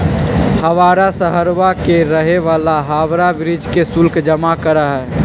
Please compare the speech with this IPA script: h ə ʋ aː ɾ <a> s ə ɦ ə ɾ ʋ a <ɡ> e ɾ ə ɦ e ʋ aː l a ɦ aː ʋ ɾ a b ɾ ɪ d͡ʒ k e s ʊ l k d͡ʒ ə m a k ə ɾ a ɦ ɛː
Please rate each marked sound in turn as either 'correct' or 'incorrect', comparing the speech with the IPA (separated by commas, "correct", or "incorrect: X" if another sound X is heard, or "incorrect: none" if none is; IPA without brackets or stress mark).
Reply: correct, incorrect: k